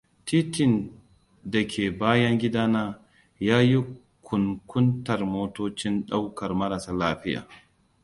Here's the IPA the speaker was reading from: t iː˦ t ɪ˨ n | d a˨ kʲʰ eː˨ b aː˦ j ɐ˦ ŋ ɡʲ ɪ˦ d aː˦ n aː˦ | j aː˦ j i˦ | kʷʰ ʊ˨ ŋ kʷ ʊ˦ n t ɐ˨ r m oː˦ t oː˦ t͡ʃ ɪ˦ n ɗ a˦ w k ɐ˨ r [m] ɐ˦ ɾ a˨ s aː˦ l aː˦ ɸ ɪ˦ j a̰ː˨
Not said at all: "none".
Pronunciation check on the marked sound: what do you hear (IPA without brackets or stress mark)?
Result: m